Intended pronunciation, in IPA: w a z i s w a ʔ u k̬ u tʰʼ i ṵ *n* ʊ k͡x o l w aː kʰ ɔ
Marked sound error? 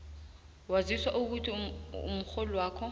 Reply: yes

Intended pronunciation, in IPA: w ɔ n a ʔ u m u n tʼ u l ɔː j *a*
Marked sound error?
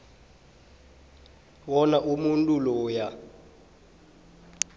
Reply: no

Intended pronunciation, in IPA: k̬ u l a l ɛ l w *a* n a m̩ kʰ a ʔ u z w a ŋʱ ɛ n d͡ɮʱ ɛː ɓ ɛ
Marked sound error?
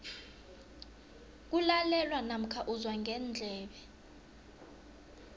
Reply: no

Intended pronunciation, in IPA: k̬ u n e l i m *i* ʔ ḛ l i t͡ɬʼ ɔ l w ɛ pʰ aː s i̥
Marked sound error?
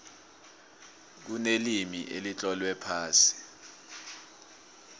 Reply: no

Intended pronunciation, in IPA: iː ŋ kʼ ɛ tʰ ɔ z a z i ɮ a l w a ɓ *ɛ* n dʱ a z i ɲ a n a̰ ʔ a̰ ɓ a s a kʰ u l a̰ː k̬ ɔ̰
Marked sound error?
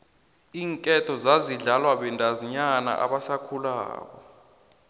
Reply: no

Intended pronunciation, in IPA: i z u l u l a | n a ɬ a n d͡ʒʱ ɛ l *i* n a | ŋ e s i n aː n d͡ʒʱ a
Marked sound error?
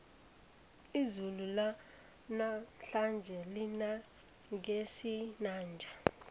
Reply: no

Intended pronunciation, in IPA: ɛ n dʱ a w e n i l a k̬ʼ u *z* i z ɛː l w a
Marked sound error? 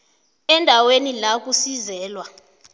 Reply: yes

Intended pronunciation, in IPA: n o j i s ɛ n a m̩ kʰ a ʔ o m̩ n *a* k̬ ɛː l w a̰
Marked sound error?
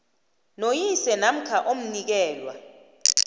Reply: yes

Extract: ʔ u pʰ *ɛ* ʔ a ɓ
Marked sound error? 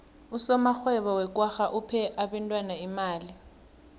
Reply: no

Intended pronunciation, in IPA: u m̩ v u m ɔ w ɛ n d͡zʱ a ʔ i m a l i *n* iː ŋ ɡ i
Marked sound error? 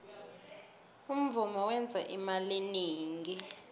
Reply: no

